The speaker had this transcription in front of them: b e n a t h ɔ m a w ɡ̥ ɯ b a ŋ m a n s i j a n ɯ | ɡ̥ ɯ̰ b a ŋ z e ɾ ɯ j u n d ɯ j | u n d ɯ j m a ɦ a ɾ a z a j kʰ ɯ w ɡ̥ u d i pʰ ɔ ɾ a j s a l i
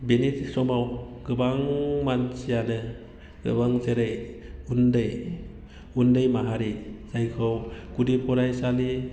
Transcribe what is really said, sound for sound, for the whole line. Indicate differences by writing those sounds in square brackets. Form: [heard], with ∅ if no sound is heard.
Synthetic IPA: b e n [i] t [s] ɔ m a w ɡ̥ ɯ b a ŋ m a n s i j a n ɯ | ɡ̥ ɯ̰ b a ŋ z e ɾ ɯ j u n d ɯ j | u n d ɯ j m a ɦ a ɾ [i] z a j kʰ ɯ w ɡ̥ u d i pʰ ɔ ɾ a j s a l i